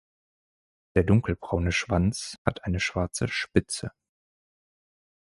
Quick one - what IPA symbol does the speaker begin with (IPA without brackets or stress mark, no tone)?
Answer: d̥